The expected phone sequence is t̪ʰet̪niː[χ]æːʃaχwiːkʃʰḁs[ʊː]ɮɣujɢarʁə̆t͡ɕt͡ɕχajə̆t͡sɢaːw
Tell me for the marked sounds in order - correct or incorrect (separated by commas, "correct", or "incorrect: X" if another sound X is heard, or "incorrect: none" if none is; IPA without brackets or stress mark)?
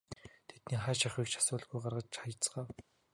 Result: correct, correct